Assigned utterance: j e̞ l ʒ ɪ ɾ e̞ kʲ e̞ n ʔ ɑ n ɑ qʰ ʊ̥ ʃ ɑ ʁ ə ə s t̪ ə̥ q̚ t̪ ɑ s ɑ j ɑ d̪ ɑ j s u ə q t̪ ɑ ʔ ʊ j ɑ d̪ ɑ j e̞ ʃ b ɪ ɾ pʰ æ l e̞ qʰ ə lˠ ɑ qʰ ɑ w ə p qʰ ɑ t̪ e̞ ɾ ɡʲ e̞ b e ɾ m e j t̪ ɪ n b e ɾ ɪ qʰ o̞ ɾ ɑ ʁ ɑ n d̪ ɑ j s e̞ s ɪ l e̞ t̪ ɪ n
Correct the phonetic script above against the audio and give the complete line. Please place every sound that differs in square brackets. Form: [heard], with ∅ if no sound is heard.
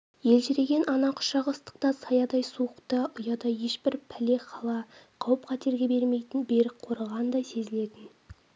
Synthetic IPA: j e̞ l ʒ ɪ ɾ e̞ [ɡʲ] e̞ n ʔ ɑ n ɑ qʰ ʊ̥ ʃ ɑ ʁ ə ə s t̪ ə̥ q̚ t̪ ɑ s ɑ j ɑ d̪ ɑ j s u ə q t̪ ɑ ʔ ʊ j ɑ d̪ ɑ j e̞ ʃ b ɪ ɾ pʰ æ l e̞ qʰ [ɑ] lˠ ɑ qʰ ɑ w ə p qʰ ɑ t̪ e̞ ɾ ɡʲ e̞ b e ɾ m e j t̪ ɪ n b e ɾ ɪ qʰ o̞ ɾ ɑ ʁ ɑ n d̪ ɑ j s e̞ [z] ɪ l e̞ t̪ ɪ n